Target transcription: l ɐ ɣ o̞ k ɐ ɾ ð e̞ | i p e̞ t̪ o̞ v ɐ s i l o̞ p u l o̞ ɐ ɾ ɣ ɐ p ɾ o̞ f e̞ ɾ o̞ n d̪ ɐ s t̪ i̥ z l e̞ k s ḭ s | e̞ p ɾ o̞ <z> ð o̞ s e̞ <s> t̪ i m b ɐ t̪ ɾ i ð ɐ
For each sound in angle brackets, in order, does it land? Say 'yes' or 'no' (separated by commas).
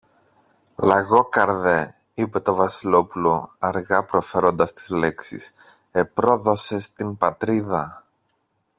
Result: no, yes